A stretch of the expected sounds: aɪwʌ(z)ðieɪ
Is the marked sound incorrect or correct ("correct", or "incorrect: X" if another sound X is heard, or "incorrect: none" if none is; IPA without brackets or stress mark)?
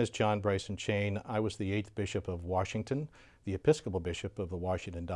correct